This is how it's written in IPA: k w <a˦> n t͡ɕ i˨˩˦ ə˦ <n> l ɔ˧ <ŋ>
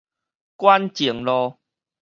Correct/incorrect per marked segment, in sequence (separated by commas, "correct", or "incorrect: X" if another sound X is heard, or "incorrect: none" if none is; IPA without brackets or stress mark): correct, incorrect: ŋ, incorrect: none